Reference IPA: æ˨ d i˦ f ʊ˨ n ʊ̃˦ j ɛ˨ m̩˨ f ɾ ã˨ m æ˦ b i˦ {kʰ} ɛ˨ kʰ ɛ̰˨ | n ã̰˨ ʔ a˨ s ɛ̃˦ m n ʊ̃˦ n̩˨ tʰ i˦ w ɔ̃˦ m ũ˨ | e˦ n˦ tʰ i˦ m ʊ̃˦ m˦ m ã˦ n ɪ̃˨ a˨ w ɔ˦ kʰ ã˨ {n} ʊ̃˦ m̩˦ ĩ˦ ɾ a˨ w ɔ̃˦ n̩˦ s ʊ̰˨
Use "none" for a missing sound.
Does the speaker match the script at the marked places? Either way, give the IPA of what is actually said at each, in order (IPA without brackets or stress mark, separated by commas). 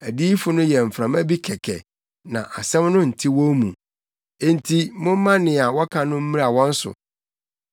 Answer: kʰ, n